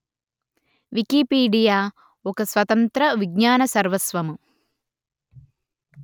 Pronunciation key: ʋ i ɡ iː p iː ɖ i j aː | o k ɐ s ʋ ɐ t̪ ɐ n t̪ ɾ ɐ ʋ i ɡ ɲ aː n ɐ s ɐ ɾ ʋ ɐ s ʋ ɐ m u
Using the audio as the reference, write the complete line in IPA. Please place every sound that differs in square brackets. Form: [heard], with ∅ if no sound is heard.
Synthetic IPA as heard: ʋ i [k] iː p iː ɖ i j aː | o k ɐ s ʋ ɐ t̪ ɐ n t̪ ɾ ɐ ʋ i ɡ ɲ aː n ɐ s ɐ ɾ ʋ ɐ s ʋ ɐ m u